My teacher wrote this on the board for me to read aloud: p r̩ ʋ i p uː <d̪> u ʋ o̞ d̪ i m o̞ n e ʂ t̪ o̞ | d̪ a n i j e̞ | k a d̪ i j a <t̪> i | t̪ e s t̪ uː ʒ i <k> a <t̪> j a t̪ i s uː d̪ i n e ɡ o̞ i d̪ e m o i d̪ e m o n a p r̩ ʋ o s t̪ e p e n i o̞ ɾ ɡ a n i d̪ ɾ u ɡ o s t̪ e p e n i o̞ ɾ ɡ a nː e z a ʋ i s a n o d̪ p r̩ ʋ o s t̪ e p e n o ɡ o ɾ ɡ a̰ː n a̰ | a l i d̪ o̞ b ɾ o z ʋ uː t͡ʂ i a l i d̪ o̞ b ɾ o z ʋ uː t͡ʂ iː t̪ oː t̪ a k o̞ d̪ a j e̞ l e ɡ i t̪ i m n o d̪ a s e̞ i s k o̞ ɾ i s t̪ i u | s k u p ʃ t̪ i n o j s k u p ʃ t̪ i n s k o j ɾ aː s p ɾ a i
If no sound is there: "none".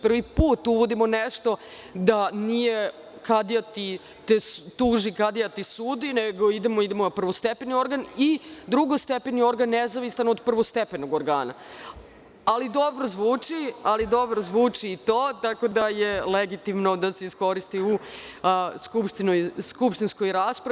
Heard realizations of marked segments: t̪, t̪, k, d̪

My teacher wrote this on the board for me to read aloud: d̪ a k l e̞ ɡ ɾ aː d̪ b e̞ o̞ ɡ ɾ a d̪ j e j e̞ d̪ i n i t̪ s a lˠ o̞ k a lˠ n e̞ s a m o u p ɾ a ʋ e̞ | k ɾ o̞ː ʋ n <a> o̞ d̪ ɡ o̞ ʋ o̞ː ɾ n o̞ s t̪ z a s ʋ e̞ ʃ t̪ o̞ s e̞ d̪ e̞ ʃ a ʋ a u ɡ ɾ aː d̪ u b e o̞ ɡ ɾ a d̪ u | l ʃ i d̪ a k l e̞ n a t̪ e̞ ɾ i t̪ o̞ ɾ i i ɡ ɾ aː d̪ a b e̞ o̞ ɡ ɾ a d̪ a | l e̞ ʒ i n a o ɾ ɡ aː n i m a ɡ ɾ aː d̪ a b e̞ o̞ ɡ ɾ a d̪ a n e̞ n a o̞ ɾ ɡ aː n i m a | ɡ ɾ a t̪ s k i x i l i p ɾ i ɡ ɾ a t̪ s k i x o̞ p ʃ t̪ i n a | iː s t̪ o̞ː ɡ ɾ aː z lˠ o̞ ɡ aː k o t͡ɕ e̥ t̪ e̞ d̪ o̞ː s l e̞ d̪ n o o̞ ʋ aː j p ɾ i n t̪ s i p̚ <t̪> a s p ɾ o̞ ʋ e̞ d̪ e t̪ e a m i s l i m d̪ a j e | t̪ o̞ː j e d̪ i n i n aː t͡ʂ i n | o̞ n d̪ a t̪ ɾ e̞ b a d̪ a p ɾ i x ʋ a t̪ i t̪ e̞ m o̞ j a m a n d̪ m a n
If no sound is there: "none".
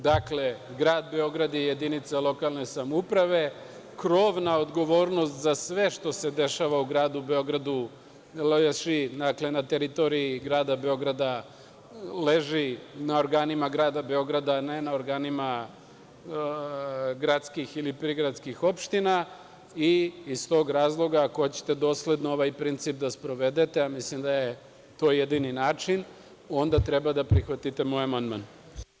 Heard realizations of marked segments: a, d̪

